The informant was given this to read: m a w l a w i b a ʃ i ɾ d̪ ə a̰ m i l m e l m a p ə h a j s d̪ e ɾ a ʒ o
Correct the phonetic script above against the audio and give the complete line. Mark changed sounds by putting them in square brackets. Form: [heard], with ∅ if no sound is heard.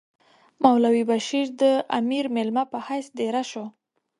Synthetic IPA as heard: m a w l a w i b a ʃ i ɾ d̪ ə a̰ m i [ɾ] m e l m a p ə h a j s d̪ e ɾ a [ʃ] o